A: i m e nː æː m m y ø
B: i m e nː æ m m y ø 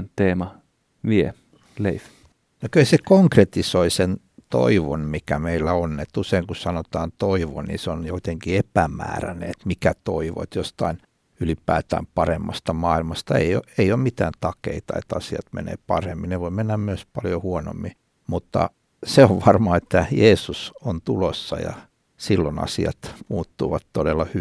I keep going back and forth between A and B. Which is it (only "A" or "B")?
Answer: B